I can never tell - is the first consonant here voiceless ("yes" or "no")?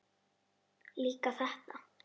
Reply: no